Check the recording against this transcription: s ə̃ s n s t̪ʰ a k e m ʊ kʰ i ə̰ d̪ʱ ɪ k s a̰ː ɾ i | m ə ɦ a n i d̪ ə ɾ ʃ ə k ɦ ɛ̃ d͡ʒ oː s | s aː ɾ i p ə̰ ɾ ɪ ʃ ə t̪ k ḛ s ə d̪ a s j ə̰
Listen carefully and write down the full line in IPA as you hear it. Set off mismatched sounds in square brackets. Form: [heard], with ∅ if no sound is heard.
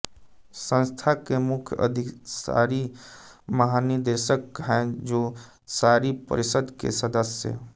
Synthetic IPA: s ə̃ [∅] n s t̪ʰ a k e m ʊ kʰ [j] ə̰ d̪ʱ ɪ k s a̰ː ɾ i | m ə ɦ a n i d̪ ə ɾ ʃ ə k ɦ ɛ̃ d͡ʒ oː [∅] | s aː ɾ i p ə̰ ɾ ɪ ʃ ə [d̪] k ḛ s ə d̪ [ə] s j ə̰